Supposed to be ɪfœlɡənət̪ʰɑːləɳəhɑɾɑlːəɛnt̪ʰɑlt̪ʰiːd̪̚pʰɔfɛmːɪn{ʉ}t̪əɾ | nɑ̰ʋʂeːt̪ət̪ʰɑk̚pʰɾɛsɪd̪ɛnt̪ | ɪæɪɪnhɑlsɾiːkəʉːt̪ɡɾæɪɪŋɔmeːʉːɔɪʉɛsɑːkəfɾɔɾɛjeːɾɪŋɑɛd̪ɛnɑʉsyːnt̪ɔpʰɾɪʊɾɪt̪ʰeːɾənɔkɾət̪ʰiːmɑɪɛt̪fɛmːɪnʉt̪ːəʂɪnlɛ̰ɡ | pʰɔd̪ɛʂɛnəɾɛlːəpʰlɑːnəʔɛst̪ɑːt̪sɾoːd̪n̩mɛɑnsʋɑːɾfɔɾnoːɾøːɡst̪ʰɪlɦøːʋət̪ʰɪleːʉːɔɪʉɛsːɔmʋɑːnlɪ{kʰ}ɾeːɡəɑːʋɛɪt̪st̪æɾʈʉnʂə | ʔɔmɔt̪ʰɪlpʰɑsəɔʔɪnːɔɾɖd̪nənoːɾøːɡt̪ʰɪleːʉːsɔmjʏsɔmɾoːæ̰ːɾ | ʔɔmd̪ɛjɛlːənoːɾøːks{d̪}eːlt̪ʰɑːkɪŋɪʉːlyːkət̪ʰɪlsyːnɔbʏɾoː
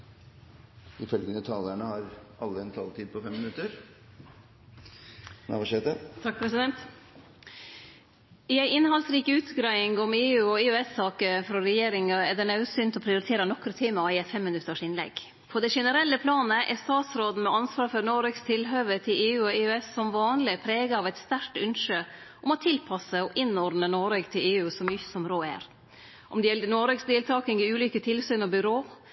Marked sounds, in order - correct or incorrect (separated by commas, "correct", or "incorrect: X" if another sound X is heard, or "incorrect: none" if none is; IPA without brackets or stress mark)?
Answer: correct, incorrect: pʰ, correct